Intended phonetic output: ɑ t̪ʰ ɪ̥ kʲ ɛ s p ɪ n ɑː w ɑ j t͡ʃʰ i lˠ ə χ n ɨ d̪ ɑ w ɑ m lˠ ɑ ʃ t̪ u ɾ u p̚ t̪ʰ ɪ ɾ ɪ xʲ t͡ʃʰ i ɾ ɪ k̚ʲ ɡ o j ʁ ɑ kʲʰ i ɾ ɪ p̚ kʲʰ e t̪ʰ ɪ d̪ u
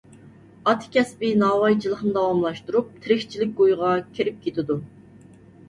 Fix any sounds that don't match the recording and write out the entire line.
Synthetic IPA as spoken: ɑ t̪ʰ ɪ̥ kʲ ɛ s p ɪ n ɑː w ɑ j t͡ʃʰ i lˠ ə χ n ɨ d̪ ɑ w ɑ m lˠ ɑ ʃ t̪ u ɾ u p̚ t̪ʰ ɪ ɾ ɪ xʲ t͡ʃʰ i l ɪ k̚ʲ ɡ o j ʁ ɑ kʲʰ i ɾ ɪ p̚ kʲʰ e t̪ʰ ɪ d̪ u